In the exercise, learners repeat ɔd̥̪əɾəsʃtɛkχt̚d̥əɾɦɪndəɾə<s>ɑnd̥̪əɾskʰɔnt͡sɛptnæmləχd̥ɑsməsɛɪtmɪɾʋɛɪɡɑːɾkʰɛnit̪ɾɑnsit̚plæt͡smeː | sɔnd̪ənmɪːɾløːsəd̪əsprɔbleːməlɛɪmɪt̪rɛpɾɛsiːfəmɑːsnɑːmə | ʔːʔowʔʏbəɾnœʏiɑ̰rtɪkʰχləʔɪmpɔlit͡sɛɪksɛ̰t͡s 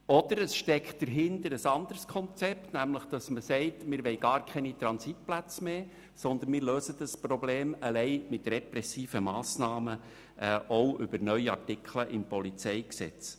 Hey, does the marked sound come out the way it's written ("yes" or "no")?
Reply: yes